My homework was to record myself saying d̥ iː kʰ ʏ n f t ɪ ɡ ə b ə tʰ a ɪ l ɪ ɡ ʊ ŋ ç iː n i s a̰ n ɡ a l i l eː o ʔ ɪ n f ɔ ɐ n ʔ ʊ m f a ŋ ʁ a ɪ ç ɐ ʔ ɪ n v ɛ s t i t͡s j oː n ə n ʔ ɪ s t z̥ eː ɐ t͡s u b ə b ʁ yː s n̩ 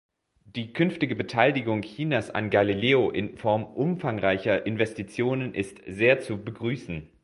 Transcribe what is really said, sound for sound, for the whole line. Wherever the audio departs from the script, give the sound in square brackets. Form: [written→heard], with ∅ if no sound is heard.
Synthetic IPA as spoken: d̥ iː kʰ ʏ n f t ɪ ɡ ə b ə tʰ a ɪ l ɪ ɡ ʊ ŋ ç iː n [i→a] s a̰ n ɡ a l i l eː o ʔ ɪ n f ɔ ɐ [n→m] ʔ ʊ m f a ŋ ʁ a ɪ ç ɐ ʔ ɪ n v ɛ s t i t͡s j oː n ə n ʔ ɪ s t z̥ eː ɐ t͡s u b ə [b→ɡ] ʁ yː s n̩